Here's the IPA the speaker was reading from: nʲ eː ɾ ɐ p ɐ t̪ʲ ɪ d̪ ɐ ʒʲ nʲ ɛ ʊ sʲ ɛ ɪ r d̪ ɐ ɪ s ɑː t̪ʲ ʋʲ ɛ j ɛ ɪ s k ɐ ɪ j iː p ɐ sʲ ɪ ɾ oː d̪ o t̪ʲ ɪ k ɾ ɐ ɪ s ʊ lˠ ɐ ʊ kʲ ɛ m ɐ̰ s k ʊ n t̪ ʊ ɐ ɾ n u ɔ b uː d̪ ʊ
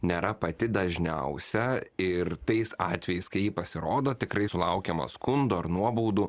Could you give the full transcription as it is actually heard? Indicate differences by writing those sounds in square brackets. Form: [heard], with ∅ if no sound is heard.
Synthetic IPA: nʲ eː ɾ ɐ p ɐ t̪ʲ ɪ d̪ ɐ ʒʲ nʲ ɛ ʊ sʲ ɛ ɪ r [t̪] ɐ ɪ s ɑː t̪ʲ ʋʲ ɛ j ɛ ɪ s k ɐ ɪ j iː p ɐ sʲ ɪ ɾ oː d̪ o t̪ʲ ɪ k ɾ ɐ ɪ s ʊ lˠ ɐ ʊ kʲ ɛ m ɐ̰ s k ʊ n [d̪] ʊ ɐ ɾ n u ɔ b uː d̪ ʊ